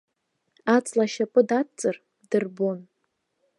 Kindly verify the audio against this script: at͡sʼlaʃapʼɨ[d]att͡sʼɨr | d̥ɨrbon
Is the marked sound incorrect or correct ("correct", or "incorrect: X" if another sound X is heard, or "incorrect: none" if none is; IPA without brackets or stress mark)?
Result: correct